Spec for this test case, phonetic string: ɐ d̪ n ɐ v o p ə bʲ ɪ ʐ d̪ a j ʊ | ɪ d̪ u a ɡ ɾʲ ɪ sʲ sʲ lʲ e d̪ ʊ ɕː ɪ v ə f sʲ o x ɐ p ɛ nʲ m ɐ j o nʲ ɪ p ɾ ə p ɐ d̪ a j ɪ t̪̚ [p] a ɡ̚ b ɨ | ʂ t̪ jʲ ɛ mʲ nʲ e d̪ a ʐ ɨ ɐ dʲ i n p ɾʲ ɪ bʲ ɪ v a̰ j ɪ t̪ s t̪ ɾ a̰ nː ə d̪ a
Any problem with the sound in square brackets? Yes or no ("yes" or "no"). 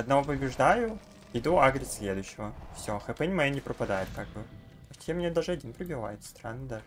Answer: yes